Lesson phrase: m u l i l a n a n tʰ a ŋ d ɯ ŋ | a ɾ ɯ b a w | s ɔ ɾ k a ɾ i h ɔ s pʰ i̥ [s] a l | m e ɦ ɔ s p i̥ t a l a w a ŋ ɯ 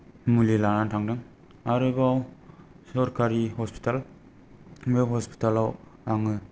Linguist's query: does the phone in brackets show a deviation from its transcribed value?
yes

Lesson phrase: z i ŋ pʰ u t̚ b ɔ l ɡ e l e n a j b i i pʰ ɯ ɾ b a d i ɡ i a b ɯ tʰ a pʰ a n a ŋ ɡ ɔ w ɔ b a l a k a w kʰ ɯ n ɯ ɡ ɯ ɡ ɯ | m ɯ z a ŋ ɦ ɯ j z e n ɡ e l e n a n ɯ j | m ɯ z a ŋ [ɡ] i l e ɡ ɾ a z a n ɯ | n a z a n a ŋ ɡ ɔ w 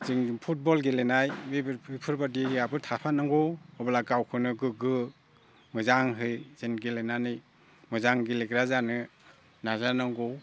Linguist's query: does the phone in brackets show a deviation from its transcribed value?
no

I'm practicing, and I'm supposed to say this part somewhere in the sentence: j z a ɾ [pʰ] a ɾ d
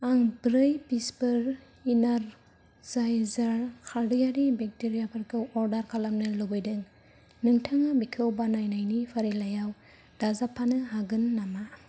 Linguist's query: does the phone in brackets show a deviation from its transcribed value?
yes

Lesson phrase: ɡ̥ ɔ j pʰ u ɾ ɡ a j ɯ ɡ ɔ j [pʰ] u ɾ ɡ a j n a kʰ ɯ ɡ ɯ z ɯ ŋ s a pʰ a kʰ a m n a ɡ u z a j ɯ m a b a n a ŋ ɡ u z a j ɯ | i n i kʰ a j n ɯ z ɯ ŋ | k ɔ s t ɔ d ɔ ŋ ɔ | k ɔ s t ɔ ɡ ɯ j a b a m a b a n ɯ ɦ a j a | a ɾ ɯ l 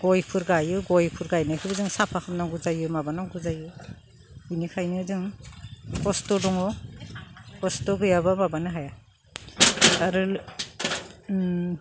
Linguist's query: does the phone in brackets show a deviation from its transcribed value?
no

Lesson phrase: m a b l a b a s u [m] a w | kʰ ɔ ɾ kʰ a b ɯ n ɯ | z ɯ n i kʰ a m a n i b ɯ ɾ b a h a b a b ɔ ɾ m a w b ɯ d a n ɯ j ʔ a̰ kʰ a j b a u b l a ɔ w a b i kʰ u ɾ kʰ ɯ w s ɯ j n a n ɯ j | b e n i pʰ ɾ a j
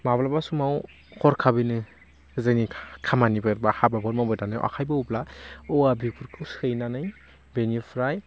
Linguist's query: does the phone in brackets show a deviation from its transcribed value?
no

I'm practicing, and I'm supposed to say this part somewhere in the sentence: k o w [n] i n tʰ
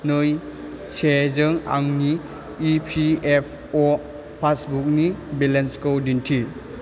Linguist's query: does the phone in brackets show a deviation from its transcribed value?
yes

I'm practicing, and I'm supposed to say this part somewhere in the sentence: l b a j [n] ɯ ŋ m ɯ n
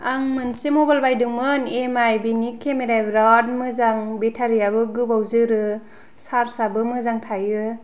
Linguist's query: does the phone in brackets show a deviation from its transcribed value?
yes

